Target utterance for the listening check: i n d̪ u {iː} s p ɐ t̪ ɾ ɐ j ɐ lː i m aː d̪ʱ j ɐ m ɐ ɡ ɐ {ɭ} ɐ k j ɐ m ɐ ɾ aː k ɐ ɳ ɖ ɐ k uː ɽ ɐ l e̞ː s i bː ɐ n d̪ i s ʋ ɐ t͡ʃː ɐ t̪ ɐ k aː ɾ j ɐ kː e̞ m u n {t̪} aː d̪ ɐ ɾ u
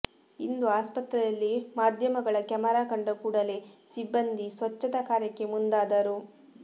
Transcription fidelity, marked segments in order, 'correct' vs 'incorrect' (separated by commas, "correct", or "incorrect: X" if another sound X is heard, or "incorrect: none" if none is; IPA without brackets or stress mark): incorrect: aː, correct, incorrect: d̪